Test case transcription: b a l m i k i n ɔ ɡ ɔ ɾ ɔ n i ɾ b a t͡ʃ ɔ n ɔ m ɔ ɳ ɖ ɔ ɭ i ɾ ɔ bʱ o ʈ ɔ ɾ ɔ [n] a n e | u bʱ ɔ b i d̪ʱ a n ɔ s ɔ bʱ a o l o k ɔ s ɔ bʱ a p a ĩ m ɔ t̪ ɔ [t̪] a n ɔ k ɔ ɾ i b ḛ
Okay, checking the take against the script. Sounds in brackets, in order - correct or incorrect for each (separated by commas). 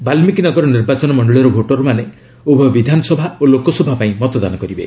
incorrect, incorrect